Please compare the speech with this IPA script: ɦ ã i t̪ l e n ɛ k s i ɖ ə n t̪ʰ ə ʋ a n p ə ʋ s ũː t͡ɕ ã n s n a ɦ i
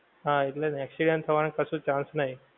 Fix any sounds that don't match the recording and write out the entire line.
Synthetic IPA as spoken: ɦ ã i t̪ l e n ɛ k s i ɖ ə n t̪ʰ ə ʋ a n k ə s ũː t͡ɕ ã n s n a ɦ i